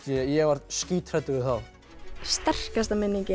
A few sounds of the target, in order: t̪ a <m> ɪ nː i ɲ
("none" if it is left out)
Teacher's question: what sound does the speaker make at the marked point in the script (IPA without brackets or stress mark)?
m